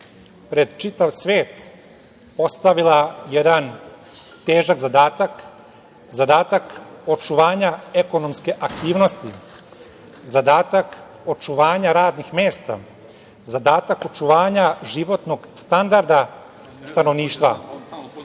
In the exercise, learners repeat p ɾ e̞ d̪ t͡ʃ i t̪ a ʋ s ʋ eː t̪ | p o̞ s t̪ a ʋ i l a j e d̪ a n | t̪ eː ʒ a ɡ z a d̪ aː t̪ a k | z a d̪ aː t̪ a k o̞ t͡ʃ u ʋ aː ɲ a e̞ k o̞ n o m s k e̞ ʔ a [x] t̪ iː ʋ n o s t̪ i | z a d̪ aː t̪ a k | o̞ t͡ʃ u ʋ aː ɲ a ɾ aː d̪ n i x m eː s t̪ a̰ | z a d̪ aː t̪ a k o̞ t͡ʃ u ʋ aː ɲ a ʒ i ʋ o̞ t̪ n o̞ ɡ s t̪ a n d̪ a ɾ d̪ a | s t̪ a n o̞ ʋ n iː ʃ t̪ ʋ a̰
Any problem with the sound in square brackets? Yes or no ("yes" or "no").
yes